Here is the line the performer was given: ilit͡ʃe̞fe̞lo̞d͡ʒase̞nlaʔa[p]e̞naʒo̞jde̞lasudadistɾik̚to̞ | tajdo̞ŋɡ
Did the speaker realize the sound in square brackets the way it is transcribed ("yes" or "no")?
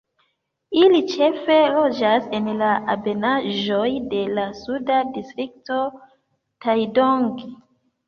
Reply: no